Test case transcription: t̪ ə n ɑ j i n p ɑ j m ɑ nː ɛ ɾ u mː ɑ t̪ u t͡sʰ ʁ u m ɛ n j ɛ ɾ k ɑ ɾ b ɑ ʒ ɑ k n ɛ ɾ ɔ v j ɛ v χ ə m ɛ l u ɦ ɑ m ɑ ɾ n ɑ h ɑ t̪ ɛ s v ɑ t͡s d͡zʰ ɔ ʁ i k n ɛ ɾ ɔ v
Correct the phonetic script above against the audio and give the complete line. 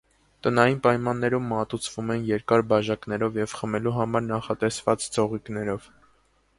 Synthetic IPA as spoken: t̪ ə n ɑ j i n p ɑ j m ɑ nː ɛ ɾ u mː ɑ t̪ u t͡sʰ v u m ɛ n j ɛ ɾ k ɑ ɾ b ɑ ʒ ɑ k n ɛ ɾ ɔ v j ɛ v χ ə m ɛ l u ɦ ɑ m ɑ ɾ n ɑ χ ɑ t̪ ɛ s v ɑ t͡s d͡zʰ ɔ ʁ i k n ɛ ɾ ɔ v